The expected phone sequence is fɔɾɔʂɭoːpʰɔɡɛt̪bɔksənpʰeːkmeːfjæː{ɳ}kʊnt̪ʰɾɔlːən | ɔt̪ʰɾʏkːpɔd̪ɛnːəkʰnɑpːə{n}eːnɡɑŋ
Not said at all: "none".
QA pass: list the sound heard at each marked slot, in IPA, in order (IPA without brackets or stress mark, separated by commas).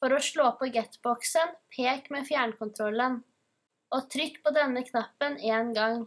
ɳ, n